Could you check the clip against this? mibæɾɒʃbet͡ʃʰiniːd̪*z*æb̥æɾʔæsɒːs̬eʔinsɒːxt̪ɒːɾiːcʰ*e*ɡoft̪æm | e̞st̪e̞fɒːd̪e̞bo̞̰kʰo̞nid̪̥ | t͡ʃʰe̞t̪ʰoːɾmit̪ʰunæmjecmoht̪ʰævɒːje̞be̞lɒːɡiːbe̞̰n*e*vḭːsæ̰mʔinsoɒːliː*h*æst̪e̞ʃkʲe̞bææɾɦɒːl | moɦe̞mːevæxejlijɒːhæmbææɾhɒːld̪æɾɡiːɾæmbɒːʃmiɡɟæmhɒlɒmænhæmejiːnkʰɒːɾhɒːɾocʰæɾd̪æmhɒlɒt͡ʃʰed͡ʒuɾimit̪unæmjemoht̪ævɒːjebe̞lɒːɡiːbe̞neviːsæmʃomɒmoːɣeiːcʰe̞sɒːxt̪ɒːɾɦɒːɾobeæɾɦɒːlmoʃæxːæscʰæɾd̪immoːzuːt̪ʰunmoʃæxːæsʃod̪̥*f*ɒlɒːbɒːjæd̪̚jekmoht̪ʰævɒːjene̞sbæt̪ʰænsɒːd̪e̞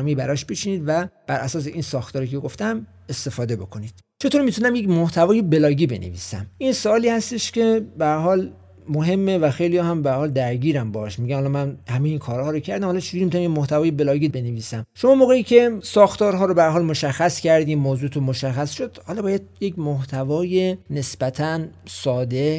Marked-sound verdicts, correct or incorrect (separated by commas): incorrect, correct, correct, correct, incorrect